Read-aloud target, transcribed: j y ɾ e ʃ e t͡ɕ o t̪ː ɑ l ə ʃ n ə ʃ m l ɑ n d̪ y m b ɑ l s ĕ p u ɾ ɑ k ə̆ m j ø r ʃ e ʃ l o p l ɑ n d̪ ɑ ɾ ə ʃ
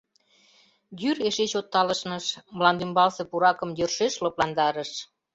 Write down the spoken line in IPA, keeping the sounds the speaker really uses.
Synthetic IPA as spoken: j y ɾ e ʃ e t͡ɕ o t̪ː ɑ l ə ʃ n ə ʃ m l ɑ n d̪ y m b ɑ l s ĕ p u ɾ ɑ k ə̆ m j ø r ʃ e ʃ l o p l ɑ n d̪ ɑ ɾ ə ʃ